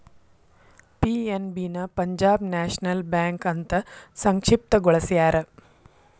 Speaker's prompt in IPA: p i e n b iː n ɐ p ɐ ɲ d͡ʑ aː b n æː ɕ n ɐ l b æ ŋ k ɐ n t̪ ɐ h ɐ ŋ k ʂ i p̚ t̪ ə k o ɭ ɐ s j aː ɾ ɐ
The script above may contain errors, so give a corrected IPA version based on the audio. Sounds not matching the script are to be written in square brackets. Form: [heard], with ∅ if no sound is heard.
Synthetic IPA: p i e n b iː n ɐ p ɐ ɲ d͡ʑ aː b n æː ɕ n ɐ l b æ ŋ k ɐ n t̪ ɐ [s] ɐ ŋ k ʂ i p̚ t̪ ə [ɡ] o ɭ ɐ s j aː ɾ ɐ